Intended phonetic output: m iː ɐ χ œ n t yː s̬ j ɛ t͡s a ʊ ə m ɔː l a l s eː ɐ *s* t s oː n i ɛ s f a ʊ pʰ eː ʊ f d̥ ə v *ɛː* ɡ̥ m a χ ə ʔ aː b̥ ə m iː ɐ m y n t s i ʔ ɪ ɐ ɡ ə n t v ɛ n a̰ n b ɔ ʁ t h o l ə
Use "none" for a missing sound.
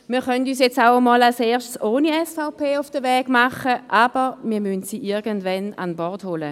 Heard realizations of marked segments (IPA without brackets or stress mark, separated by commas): ʃ, ɛː